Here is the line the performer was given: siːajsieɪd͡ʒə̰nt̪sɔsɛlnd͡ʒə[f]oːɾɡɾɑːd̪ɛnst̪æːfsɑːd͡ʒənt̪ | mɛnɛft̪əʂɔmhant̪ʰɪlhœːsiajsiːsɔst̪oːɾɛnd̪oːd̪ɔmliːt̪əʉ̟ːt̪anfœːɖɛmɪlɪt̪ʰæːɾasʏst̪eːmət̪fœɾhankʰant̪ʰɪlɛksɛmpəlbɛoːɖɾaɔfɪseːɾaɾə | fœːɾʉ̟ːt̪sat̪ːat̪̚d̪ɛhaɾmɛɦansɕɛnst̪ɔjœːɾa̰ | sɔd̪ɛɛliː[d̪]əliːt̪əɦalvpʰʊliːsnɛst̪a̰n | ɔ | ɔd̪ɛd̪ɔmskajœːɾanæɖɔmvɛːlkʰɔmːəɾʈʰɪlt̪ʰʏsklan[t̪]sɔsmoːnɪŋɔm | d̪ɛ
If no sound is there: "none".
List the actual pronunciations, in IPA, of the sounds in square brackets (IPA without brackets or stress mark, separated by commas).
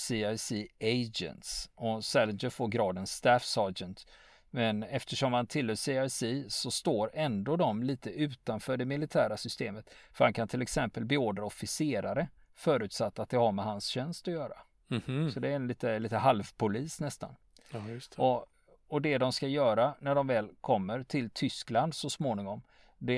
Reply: f, t̪, d̪